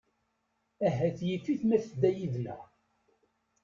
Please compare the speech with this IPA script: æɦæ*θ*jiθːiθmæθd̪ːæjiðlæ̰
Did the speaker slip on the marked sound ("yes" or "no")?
no